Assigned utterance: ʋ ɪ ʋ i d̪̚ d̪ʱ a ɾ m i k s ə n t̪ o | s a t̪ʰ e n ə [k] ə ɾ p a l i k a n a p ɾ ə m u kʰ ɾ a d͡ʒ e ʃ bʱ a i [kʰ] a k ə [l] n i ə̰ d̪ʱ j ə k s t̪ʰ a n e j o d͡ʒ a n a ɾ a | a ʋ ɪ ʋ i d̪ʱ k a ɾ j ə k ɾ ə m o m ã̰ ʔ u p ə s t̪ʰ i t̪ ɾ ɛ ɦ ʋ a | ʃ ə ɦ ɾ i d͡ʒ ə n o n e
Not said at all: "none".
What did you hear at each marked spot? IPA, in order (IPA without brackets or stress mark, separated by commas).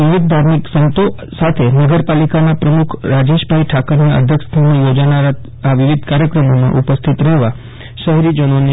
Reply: ɡ, ʈʰ, ɾ